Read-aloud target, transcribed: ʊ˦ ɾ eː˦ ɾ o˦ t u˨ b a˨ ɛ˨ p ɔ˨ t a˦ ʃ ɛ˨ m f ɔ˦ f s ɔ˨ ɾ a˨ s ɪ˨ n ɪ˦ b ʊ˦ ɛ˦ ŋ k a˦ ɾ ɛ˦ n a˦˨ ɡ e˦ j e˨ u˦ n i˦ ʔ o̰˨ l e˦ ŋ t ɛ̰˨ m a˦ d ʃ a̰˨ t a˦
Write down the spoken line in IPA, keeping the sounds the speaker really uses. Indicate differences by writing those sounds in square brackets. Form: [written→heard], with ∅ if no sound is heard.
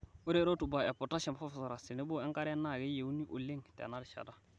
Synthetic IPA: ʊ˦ ɾ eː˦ ɾ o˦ t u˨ b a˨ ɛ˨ p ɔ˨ t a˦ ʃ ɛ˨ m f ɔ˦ f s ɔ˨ ɾ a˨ s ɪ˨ n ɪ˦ b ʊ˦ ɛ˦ ŋ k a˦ ɾ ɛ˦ n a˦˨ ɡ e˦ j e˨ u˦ n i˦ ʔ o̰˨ l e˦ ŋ t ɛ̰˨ [m→n] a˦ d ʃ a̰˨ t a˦